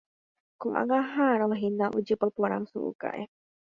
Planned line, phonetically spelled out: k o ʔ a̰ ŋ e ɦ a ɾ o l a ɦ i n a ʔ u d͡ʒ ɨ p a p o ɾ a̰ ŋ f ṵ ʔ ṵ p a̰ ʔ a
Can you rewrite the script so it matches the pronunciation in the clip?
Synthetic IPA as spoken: k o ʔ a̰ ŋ a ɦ a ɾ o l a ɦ i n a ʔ u d͡ʒ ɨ p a p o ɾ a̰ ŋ s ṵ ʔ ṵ k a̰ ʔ e